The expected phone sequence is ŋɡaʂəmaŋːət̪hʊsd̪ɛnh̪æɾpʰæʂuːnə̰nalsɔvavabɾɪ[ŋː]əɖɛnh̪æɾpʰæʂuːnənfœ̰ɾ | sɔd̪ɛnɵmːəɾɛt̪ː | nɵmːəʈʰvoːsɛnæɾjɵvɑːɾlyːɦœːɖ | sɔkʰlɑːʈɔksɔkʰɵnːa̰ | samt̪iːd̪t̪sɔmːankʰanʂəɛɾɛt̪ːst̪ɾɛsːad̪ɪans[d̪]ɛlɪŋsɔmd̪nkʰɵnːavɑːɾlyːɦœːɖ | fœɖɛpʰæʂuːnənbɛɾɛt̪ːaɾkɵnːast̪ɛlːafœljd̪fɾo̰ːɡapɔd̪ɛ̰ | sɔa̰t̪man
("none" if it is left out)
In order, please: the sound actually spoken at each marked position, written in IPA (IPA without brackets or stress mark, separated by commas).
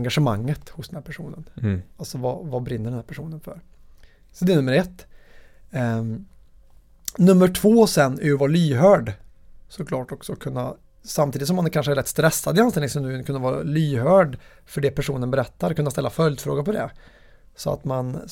nː, t̪